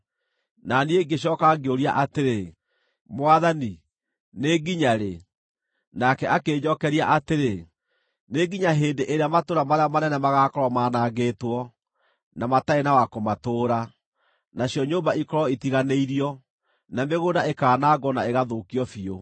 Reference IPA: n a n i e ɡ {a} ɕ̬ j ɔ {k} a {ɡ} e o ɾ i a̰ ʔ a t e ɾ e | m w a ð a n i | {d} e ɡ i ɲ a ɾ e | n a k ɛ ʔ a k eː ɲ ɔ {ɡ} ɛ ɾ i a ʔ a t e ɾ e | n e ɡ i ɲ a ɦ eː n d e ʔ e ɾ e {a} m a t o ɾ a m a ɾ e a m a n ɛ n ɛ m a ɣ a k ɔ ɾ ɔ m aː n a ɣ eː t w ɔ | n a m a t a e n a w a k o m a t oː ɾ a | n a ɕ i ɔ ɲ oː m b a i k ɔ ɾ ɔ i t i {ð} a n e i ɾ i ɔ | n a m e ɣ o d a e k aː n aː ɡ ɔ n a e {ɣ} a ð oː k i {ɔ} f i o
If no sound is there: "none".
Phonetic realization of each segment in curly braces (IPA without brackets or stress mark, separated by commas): e, k, ɡ, n, k, a, ɣ, ɣ, ɔ